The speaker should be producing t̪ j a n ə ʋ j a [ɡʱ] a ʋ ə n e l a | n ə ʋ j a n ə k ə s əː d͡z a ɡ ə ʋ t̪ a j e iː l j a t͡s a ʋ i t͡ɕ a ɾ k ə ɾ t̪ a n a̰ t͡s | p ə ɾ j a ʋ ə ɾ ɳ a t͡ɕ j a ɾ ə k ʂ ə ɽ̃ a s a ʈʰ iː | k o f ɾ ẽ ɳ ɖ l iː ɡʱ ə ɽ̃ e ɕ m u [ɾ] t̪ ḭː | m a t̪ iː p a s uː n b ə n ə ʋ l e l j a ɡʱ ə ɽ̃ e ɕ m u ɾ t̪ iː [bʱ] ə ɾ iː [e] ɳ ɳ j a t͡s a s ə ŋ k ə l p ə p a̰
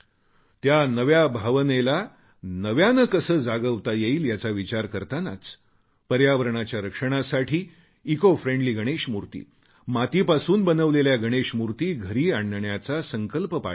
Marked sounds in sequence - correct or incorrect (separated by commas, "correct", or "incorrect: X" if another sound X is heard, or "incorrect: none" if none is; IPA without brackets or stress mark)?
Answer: incorrect: bʱ, correct, incorrect: ɡʱ, incorrect: a